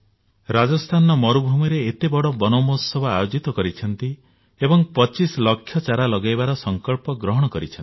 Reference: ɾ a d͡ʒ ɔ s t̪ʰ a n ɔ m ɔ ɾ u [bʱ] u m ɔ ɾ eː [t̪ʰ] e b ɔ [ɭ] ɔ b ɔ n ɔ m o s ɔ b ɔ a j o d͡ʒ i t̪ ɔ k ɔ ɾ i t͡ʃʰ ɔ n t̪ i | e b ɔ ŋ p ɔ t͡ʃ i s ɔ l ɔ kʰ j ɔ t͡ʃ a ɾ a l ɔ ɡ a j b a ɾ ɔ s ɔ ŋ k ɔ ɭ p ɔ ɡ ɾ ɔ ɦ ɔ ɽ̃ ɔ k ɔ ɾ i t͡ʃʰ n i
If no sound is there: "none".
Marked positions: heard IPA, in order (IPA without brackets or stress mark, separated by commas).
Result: bʱ, t̪, ɽ